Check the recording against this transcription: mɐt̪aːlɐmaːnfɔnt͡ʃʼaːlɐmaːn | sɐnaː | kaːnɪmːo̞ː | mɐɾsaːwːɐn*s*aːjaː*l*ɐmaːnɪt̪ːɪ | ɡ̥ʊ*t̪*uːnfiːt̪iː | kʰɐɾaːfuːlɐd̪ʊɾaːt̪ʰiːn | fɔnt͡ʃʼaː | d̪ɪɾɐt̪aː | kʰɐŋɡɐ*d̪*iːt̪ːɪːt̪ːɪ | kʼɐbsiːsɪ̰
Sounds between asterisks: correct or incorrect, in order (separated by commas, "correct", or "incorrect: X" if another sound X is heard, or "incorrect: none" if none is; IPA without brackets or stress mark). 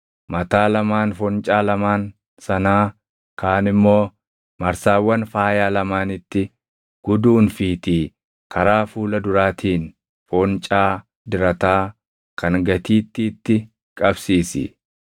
incorrect: f, correct, incorrect: d̪, incorrect: t̪